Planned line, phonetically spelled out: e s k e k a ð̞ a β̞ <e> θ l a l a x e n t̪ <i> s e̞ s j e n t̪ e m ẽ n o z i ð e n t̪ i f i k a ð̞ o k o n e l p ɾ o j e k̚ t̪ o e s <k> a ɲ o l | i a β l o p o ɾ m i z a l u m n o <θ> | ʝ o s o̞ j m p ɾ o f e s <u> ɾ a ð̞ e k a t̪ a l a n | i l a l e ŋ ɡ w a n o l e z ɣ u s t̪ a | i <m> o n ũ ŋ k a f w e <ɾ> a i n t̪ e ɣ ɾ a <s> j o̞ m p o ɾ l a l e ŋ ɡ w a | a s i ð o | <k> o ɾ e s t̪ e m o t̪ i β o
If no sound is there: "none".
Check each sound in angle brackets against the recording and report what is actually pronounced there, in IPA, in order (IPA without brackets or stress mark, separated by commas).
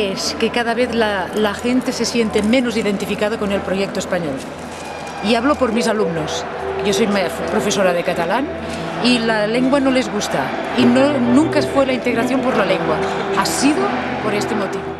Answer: e, e, p, s, o, n, l, θ, p